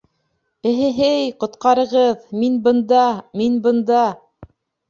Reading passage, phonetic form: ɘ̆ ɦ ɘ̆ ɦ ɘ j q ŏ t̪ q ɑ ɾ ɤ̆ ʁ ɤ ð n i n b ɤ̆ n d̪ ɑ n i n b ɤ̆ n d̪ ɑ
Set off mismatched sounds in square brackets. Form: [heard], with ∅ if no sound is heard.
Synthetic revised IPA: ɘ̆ ɦ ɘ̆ ɦ ɘ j q ŏ t̪ q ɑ ɾ ɤ̆ ʁ ɤ ð [m] i n b ɤ̆ n d̪ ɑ [m] i n b ɤ̆ n d̪ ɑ